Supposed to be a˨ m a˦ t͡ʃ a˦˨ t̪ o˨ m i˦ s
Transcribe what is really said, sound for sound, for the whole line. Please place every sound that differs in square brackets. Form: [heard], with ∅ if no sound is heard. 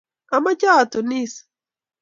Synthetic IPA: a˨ m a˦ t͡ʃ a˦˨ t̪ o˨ [n] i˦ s